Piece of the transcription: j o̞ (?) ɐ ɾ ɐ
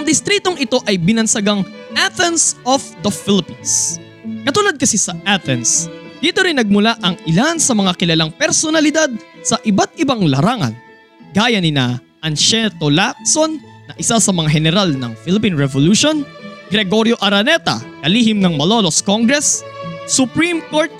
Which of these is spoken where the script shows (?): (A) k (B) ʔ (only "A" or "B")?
B